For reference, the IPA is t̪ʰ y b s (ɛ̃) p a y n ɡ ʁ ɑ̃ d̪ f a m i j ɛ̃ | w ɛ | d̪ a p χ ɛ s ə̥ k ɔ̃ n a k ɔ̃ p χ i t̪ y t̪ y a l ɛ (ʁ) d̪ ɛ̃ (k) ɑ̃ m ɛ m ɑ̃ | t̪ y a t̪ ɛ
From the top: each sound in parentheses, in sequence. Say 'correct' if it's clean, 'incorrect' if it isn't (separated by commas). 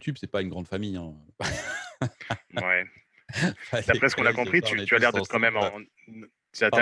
incorrect, correct, correct